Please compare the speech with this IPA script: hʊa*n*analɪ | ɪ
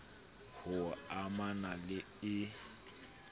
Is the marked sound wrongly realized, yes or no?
yes